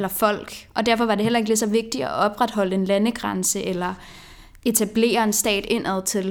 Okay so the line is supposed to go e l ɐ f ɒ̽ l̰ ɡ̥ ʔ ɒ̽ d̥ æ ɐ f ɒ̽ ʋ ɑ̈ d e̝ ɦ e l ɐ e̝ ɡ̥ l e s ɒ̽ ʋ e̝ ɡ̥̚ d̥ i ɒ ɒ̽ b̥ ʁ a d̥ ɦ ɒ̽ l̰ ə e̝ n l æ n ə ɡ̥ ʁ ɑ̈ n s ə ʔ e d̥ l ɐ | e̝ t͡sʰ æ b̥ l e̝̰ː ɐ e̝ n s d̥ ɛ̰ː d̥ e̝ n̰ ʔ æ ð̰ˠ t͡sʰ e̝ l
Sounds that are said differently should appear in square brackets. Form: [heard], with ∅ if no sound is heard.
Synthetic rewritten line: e l ɐ f ɒ̽ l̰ ɡ̥ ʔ ɒ̽ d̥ æ ɐ f ɒ̽ ʋ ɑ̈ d e̝ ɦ e l ɐ e̝ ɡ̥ l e s ɒ̽ ʋ e̝ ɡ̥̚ d̥ i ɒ ɒ̽ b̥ ʁ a d̥ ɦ ɒ̽ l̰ ə e̝ n l æ n ə ɡ̥ ʁ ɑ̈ n s ə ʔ e [∅] l ɐ | e̝ t͡sʰ æ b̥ l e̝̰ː ɐ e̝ n s d̥ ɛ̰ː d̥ e̝ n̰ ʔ æ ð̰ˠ t͡sʰ e̝ l